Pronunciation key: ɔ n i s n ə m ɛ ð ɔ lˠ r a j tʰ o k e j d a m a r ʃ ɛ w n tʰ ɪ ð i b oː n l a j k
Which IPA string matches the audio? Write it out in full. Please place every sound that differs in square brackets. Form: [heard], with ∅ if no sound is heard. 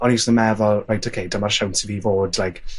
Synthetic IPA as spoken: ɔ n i s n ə m ɛ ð ɔ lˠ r a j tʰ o [kʰ] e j d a m a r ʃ [a] w n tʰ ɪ [v] i [v] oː [d] l a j k